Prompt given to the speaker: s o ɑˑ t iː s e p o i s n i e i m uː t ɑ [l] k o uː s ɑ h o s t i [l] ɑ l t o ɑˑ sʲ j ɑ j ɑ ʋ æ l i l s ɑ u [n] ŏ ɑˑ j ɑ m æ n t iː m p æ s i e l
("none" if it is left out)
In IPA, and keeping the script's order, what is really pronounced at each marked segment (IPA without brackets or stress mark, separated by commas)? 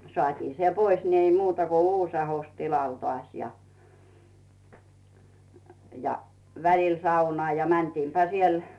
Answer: none, l, n